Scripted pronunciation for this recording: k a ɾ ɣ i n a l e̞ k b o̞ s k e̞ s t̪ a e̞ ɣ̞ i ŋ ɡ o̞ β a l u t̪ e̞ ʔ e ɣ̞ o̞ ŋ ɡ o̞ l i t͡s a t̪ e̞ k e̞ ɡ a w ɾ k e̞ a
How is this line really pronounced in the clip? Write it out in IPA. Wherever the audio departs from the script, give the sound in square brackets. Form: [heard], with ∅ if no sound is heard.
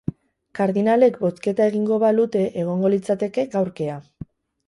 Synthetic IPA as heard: k a ɾ [ð] i n a l e̞ k b o̞ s k e̞ [∅] t̪ a e̞ ɣ̞ i ŋ ɡ o̞ β a l u t̪ e̞ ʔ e ɣ̞ o̞ ŋ ɡ o̞ l i t͡s a t̪ e̞ k e̞ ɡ a w ɾ k e̞ a